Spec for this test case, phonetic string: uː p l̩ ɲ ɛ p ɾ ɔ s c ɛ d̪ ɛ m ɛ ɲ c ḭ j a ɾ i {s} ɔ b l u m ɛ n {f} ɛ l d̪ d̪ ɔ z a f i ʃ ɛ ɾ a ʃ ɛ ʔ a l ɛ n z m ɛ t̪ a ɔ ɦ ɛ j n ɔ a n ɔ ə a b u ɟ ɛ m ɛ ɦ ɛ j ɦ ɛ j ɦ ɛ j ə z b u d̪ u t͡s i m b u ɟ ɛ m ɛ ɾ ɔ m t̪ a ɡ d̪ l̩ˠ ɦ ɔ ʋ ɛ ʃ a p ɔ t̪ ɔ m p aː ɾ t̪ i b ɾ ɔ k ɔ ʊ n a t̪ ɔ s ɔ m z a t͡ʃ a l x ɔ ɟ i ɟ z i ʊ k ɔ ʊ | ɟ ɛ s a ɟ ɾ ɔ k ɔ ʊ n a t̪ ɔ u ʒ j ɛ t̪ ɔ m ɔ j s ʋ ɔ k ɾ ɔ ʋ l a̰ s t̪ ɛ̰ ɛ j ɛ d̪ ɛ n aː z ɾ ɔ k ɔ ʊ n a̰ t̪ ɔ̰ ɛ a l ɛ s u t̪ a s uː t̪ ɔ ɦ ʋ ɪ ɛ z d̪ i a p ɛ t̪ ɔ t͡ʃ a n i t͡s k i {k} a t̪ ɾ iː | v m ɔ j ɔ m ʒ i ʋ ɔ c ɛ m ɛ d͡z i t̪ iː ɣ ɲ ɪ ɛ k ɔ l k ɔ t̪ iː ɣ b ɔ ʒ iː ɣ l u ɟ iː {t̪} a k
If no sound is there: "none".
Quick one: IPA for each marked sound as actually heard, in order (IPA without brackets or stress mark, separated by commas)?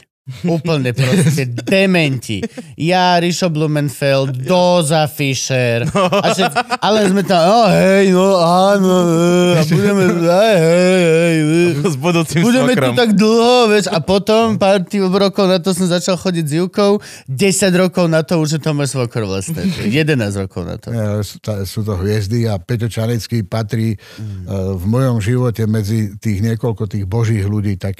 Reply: ʃ, f, p, t̪